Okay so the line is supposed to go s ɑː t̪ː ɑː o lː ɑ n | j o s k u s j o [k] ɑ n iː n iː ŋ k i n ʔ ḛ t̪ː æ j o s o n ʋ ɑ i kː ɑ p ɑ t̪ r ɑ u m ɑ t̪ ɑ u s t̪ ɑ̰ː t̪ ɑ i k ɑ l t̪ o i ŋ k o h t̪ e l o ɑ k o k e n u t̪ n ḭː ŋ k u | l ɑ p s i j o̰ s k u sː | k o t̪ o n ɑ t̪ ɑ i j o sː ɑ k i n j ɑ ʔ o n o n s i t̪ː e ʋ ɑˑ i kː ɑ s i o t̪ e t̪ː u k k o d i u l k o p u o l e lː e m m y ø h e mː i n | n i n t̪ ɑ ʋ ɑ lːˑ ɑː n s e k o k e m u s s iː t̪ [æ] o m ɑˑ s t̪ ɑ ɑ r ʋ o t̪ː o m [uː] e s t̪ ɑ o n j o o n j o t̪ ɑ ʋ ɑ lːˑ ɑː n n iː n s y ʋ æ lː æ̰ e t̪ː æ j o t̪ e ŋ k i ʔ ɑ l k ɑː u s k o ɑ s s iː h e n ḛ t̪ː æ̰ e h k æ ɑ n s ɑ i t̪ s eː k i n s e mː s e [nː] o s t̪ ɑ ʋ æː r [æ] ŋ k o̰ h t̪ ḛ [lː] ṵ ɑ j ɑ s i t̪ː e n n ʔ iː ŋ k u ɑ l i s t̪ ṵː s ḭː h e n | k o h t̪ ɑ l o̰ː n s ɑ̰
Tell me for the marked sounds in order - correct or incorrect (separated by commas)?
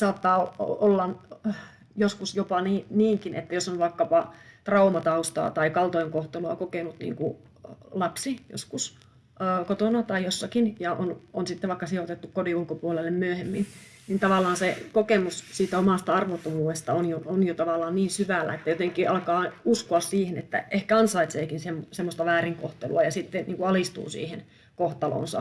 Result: incorrect, correct, correct, incorrect, incorrect, incorrect